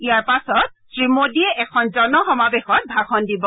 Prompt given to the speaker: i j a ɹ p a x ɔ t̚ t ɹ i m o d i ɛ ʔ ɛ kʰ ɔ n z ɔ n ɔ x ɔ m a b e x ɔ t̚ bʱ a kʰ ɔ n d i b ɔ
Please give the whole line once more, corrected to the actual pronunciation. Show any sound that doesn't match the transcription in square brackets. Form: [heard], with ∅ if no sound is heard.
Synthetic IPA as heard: i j a ɹ p a [s] ɔ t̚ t ɹ i m o d i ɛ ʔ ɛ kʰ ɔ n z ɔ n ɔ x ɔ m a b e x ɔ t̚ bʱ a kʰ ɔ n d i b ɔ